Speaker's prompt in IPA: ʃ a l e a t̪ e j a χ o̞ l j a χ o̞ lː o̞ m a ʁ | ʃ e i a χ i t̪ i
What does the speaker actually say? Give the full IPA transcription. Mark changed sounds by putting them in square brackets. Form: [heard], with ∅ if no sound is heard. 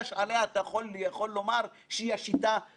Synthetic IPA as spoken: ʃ a l e a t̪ [a] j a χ o̞ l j a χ o̞ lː o̞ m a ʁ | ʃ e i a [ʃ] i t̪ [a]